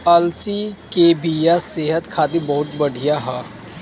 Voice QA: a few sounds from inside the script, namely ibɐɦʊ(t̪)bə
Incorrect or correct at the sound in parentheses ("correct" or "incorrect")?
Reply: correct